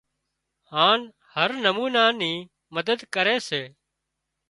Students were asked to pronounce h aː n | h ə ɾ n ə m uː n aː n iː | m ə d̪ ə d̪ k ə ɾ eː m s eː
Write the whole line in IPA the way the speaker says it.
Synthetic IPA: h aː n | h ə ɾ n ə m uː n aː n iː | m ə d̪ ə d̪ k ə ɾ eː s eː